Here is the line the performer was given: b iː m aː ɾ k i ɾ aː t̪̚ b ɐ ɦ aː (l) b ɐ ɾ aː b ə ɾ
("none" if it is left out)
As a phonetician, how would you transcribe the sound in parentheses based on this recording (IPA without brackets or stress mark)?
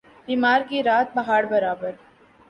ɽ